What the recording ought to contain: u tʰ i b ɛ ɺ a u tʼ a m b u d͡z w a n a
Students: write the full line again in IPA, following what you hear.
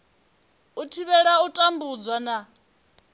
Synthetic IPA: u tʰ i β ɛ ɺ a u tʼ a m b u d͡z w a n a